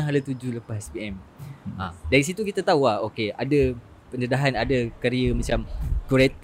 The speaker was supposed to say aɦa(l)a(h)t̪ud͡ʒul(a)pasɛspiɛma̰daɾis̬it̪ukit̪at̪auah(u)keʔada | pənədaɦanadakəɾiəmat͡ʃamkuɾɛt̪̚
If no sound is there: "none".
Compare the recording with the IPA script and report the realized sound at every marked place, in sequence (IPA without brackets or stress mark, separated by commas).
l, none, ə, o